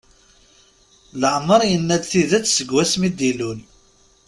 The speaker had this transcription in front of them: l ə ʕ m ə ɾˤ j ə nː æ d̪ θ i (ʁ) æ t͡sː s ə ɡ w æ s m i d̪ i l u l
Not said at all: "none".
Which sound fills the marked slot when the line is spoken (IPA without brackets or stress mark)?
ð